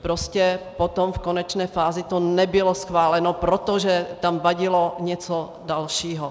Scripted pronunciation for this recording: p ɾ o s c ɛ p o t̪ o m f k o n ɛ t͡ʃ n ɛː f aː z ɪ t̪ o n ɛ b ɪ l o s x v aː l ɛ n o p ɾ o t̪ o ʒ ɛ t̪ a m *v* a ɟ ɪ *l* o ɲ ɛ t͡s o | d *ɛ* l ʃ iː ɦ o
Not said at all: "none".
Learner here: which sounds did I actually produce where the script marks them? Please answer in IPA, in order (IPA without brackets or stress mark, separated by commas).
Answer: v, l, a